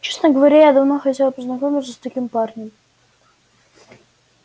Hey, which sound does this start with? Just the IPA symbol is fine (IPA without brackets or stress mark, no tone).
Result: t͡ɕ